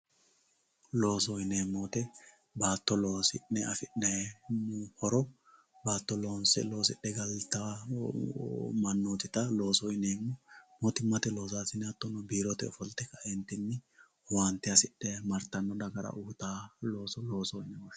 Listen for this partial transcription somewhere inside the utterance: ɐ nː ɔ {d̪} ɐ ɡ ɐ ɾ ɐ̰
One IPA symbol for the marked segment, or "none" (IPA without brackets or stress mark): d̪